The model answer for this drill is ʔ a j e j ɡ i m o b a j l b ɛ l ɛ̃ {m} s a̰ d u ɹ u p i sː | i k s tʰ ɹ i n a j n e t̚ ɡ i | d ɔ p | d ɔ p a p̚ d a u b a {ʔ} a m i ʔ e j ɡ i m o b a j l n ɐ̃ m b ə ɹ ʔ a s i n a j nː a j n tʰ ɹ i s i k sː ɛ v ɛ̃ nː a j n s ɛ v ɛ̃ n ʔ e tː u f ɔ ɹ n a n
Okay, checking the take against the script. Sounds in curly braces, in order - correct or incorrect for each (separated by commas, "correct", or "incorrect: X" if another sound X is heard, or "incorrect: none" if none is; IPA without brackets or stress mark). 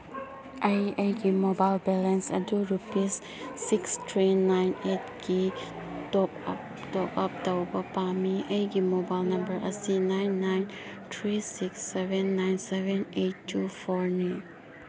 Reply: incorrect: n, incorrect: p